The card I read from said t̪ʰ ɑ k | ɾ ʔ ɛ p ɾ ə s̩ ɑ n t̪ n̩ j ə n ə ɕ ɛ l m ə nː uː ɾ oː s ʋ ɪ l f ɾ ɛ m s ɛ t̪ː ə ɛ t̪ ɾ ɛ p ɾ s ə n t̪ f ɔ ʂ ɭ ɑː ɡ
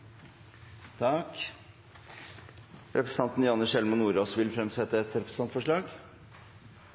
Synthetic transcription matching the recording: t̪ʰ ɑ k | ɾ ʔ ɛ p ɾ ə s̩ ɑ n t̪ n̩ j ɑ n ə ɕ ɛ l m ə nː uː ɾ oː s ʋ ɪ l f ɾ ɛ m s ɛ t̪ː ə ɛ t̪ ɾ ɛ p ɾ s ɑ n t̪ f ɔ ʂ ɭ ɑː ɡ